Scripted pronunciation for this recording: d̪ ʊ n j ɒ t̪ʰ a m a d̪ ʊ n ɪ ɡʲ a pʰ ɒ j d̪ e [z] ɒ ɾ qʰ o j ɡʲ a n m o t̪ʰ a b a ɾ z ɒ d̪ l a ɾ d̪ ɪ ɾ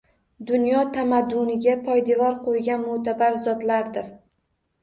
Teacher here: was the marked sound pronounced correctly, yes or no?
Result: no